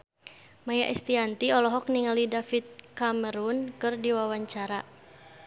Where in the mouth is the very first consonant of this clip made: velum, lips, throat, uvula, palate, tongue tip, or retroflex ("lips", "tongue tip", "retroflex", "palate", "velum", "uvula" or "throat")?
lips